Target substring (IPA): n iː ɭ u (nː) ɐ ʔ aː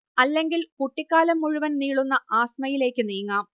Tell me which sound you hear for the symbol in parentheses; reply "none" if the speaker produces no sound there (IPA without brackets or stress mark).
nː